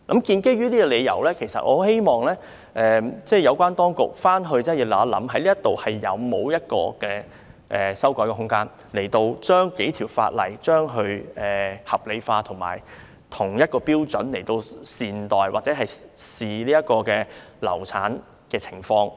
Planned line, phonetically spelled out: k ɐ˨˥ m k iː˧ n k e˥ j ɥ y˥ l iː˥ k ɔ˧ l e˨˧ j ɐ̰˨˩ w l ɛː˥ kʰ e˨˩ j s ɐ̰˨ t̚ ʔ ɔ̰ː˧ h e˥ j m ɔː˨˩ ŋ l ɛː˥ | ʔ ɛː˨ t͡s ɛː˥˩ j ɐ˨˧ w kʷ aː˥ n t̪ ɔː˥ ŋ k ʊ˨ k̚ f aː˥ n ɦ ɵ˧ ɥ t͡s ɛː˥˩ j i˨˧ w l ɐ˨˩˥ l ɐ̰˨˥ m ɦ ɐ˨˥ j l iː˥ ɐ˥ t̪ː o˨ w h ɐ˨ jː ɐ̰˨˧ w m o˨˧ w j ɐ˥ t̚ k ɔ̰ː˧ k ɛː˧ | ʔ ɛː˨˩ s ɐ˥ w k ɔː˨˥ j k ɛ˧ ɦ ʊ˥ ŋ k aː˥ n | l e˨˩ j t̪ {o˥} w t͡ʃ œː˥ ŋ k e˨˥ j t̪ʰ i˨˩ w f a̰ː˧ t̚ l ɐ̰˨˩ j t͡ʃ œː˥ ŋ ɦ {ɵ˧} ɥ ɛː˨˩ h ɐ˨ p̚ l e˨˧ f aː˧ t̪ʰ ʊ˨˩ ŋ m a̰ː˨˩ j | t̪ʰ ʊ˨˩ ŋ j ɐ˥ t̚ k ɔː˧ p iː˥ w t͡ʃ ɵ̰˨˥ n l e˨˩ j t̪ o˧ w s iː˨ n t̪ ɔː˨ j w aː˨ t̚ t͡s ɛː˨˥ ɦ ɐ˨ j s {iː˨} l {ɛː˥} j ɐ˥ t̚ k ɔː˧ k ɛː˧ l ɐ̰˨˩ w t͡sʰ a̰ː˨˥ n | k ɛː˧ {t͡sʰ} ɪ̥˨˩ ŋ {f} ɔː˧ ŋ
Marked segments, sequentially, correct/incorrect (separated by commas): incorrect, correct, correct, incorrect, correct, correct